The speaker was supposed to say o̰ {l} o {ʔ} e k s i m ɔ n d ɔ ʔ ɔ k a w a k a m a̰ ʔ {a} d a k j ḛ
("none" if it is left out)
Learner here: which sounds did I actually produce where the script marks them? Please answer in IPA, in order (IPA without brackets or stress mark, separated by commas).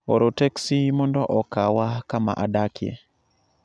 ɾ, t, a